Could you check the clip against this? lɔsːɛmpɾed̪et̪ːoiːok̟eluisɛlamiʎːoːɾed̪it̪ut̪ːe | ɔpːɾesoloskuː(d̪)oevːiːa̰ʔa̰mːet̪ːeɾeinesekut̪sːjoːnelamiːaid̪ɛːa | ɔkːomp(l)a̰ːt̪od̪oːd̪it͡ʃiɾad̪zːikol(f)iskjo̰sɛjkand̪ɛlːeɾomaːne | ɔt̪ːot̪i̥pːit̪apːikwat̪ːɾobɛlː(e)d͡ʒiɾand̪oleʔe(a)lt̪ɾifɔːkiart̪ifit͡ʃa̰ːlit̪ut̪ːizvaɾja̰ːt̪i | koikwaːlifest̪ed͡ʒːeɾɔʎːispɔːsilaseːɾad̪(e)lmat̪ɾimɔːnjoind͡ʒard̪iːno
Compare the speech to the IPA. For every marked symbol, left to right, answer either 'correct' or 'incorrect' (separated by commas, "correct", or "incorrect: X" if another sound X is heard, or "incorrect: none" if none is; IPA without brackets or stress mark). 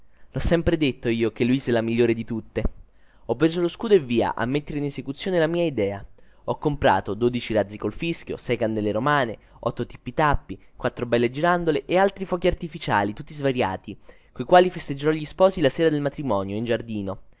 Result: correct, incorrect: ɾ, correct, correct, correct, correct